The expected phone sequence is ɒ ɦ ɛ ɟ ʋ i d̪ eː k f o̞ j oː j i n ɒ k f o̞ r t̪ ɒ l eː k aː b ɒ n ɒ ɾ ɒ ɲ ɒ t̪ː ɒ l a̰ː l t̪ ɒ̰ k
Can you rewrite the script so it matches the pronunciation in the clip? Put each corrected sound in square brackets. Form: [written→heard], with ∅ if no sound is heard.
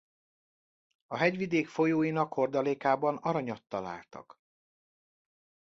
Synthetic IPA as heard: ɒ ɦ ɛ ɟ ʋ i d̪ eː k f o̞ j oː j i n ɒ k [f→h] o̞ r [t̪→d̪] ɒ l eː k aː b ɒ n ɒ ɾ ɒ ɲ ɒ t̪ː ɒ l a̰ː l t̪ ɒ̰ k

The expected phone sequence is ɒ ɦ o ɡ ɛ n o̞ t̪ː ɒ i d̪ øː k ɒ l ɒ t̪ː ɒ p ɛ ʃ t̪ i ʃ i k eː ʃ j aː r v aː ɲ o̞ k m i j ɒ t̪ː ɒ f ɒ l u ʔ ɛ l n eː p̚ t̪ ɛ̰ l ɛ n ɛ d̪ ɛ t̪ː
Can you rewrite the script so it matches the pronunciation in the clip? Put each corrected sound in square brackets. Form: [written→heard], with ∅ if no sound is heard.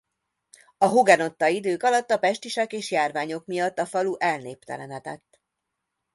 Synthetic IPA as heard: ɒ ɦ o ɡ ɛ n o̞ t̪ː ɒ i d̪ øː k ɒ l ɒ t̪ː ɒ p ɛ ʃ t̪ i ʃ [i→ɛ] k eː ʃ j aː r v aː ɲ o̞ k m i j ɒ t̪ː ɒ f ɒ l u ʔ ɛ l n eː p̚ t̪ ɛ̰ l ɛ n ɛ [d̪→t̪] ɛ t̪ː

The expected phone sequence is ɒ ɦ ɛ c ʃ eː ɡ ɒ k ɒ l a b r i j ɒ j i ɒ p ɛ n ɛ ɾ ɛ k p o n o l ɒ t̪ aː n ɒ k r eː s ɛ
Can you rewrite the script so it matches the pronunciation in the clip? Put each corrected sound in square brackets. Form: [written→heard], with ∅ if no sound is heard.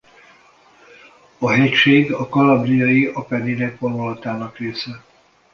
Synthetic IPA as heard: ɒ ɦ ɛ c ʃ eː ɡ ɒ k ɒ l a b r i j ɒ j i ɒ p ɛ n [ɛ→i] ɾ ɛ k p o n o l ɒ t̪ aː n ɒ k r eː s ɛ

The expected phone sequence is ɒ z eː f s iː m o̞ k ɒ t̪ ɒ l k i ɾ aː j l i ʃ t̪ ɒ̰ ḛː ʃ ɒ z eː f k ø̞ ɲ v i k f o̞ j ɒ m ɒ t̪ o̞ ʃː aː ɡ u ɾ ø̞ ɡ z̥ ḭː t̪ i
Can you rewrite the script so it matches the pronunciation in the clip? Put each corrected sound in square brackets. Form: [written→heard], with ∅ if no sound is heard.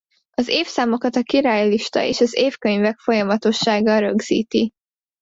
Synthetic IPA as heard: ɒ z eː f s [iː→aː] m o̞ k ɒ t̪ ɒ [l→∅] k i ɾ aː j l i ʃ t̪ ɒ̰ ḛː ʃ ɒ z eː f k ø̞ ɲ v [i→ɛ] k f o̞ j ɒ m ɒ t̪ o̞ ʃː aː ɡ [u→ɒ] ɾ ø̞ ɡ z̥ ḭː t̪ i

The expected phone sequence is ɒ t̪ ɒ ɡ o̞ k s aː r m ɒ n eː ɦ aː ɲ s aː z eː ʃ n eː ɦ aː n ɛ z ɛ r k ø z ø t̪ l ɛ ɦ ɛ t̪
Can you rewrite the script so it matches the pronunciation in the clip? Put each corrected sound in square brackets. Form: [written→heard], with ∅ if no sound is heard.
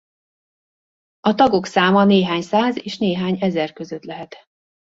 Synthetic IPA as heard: ɒ t̪ ɒ ɡ o̞ k s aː [r→∅] m ɒ n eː ɦ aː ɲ s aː z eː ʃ n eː ɦ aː [n→ɲ] ɛ z ɛ r k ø z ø t̪ l ɛ ɦ ɛ t̪

